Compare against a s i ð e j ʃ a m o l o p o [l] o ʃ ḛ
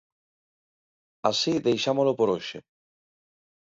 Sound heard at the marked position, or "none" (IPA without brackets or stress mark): ɾ